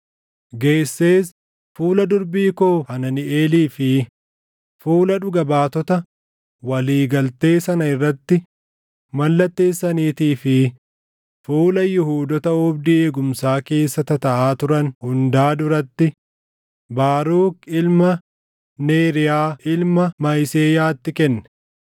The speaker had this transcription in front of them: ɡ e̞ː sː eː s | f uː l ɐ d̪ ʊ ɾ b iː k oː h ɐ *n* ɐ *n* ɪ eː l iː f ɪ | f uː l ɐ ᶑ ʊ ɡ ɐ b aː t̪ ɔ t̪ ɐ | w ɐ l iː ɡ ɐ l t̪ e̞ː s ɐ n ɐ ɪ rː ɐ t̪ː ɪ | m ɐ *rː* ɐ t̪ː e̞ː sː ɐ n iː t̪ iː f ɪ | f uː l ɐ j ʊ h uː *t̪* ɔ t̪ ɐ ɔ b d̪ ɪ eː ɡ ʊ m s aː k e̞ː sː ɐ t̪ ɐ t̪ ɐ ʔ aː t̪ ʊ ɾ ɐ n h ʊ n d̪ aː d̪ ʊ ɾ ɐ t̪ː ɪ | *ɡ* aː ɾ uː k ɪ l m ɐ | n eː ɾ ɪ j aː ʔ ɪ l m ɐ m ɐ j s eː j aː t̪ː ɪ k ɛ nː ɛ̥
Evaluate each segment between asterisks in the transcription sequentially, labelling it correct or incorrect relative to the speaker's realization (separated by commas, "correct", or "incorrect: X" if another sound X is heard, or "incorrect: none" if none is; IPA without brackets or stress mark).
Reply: correct, correct, incorrect: lː, incorrect: d̪, incorrect: b